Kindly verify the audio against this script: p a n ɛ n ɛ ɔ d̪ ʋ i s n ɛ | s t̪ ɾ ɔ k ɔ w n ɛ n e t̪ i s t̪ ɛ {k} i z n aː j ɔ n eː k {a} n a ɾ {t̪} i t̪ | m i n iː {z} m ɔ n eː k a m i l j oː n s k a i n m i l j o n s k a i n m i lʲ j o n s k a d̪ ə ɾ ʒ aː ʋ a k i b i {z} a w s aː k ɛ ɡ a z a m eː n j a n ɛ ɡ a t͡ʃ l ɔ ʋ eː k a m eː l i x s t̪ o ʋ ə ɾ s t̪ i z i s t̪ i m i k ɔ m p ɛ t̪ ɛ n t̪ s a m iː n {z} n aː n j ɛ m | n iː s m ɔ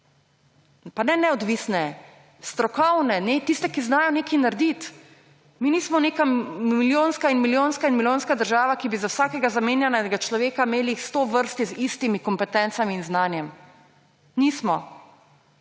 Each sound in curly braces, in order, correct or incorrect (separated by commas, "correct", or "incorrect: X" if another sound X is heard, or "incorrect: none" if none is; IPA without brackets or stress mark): correct, incorrect: i, incorrect: d̪, incorrect: s, correct, correct